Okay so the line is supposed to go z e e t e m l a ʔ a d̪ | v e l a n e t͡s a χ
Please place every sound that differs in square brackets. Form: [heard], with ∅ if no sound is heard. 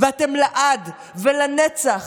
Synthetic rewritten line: [v] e [a] t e m l a ʔ a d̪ | v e l a n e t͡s a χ